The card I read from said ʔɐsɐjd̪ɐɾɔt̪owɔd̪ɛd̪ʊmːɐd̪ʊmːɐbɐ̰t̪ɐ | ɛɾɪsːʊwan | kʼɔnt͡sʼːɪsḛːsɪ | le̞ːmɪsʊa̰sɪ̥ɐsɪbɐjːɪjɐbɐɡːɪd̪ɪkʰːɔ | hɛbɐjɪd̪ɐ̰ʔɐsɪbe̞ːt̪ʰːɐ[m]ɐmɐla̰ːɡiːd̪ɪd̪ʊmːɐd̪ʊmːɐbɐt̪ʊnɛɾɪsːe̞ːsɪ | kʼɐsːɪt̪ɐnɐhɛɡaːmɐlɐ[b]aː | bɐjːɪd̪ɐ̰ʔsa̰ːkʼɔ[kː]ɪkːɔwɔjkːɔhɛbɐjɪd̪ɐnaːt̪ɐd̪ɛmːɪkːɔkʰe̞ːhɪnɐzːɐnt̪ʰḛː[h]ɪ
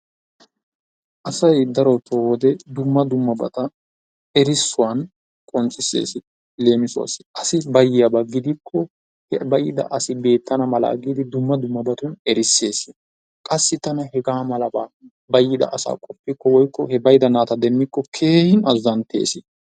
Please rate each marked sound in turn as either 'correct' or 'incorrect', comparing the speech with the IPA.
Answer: incorrect: n, correct, incorrect: pː, incorrect: s

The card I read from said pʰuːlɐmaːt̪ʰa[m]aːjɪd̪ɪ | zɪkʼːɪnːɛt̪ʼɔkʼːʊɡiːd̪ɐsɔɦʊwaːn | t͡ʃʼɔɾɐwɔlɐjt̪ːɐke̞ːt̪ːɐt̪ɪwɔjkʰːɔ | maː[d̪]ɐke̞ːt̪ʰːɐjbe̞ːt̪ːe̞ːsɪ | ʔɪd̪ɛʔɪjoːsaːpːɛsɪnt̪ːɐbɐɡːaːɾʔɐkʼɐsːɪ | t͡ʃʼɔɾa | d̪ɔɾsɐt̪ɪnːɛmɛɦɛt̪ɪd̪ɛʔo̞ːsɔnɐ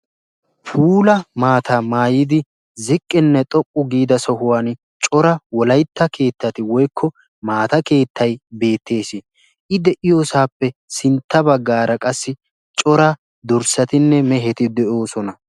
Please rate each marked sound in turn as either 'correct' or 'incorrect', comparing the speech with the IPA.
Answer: correct, incorrect: t̪

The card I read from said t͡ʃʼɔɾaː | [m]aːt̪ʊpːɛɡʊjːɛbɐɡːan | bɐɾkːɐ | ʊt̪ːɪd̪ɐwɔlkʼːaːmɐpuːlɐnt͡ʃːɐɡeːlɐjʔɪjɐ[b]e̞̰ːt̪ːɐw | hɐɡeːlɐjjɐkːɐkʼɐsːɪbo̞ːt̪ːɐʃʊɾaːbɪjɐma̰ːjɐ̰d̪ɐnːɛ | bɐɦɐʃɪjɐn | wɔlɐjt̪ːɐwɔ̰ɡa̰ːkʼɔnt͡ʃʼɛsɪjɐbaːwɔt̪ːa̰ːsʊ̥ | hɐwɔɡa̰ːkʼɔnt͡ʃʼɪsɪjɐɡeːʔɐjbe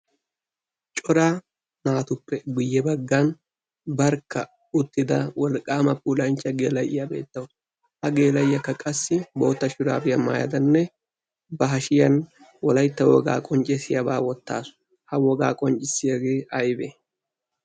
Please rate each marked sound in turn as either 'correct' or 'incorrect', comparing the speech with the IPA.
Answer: incorrect: n, correct

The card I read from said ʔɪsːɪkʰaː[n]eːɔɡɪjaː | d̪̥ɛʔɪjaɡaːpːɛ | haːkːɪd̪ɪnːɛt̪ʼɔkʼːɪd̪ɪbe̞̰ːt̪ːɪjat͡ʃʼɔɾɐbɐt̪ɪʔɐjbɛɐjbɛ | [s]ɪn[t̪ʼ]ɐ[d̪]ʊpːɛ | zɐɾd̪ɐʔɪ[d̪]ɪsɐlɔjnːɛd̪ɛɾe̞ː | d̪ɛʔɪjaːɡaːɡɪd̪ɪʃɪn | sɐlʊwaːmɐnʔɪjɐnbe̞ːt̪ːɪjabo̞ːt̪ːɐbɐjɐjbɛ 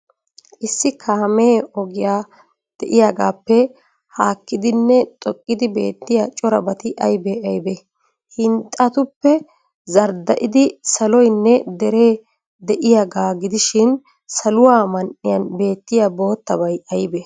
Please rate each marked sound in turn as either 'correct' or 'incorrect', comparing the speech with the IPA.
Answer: incorrect: m, incorrect: h, correct, incorrect: t̪, correct

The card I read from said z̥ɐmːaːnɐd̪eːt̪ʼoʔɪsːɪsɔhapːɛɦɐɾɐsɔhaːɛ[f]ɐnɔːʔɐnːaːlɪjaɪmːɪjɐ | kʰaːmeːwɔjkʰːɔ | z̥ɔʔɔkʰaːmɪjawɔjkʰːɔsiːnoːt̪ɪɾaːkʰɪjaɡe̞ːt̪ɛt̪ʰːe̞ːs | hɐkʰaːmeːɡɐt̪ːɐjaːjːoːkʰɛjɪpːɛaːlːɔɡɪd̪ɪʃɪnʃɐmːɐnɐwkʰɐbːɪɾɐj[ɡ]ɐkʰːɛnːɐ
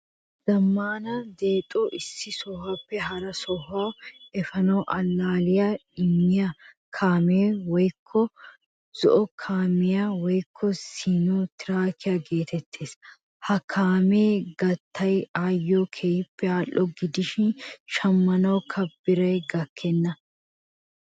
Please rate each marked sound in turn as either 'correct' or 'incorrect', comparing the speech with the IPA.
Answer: correct, correct

